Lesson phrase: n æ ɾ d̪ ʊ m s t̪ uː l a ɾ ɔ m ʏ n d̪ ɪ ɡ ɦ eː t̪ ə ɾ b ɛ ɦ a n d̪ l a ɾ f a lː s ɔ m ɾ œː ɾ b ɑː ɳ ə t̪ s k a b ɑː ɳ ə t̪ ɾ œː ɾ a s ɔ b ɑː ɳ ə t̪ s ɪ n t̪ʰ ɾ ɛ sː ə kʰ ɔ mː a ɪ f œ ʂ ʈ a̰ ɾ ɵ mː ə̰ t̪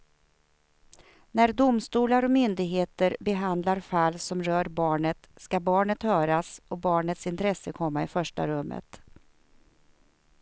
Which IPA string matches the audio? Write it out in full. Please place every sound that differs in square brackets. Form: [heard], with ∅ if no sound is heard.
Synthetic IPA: n æ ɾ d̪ ʊ m s t̪ uː l a ɾ ɔ m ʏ n d̪ ɪ ɡ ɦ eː t̪ ə ɾ b ɛ ɦ a n d̪ l a ɾ f a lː s ɔ m ɾ œː ɾ b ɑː ɳ ə t̪ s k a b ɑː ɳ ə t̪ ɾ œː ɾ a s ɔ b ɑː ɳ ə t̪ s ɪ n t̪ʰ ɾ ɛ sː ə kʰ ɔ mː a ɪ f œ ʂ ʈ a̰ ɾ ɵ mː ə̰ t̪